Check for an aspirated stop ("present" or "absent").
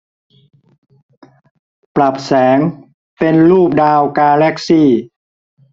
absent